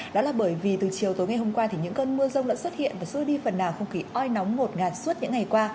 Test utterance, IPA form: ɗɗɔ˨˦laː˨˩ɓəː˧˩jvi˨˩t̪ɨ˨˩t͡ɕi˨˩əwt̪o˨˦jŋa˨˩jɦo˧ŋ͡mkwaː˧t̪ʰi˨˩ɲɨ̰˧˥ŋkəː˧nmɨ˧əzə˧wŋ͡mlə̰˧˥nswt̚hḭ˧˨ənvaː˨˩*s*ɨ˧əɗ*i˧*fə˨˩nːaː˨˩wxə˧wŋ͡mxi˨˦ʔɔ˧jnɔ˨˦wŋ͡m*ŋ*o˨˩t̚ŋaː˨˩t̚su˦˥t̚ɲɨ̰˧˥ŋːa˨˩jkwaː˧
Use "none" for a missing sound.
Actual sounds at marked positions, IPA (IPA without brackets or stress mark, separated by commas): s, i˧, ŋ